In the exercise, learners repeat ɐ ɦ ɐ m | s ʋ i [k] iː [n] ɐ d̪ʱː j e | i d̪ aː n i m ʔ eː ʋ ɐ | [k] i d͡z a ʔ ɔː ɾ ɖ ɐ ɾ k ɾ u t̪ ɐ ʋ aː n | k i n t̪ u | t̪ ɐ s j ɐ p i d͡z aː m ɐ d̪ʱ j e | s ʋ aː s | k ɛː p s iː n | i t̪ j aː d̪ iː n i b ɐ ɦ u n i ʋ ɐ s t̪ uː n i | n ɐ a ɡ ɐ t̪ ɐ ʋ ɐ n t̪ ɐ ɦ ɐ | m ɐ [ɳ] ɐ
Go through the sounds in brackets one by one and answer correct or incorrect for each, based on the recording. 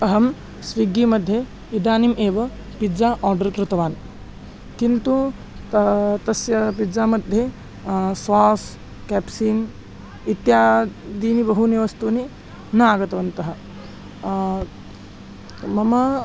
incorrect: ɡ, incorrect: m, incorrect: p, incorrect: m

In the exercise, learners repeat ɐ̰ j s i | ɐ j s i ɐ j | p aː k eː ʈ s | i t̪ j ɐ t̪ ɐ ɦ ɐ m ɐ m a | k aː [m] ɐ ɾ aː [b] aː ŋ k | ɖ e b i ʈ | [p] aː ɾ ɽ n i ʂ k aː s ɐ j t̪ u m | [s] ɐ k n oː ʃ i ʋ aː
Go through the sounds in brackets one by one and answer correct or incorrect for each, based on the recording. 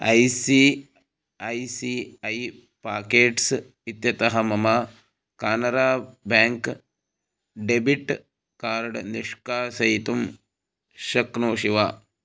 incorrect: n, correct, incorrect: k, incorrect: ʃ

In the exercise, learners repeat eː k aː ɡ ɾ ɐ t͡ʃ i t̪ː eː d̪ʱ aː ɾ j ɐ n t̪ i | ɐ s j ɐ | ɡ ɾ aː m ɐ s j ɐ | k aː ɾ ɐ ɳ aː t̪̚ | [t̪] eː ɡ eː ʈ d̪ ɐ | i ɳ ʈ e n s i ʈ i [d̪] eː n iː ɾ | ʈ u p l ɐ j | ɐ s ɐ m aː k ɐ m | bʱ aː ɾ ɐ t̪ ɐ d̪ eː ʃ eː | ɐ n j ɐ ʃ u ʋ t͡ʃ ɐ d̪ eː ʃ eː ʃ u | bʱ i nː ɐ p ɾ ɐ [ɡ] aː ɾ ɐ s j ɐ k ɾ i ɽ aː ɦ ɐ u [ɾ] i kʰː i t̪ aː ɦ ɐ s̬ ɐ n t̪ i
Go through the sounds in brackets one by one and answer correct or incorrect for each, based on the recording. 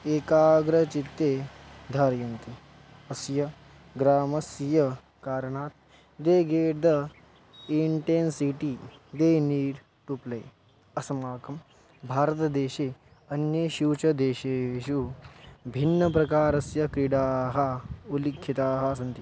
incorrect: d̪, correct, incorrect: k, incorrect: l

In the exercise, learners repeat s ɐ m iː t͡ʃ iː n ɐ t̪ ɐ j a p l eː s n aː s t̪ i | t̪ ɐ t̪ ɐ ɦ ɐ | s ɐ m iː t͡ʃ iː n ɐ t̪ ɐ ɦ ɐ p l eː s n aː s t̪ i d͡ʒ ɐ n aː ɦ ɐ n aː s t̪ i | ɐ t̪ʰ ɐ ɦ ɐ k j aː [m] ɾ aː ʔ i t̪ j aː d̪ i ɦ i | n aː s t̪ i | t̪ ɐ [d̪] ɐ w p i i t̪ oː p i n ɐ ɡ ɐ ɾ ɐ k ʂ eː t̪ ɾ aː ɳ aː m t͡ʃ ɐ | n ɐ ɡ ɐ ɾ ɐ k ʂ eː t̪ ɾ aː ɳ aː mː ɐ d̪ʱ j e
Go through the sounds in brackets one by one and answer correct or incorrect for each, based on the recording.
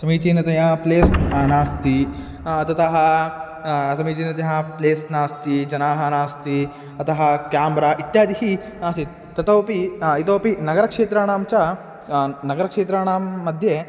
correct, incorrect: t̪

